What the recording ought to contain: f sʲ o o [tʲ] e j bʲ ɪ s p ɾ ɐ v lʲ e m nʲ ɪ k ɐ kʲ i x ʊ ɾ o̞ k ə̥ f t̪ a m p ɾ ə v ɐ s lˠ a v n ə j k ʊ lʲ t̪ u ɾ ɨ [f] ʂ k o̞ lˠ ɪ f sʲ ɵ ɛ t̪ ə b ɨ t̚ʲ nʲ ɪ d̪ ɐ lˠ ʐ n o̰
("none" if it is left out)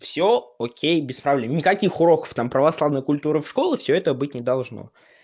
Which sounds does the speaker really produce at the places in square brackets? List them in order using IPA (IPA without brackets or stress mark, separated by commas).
kʲ, f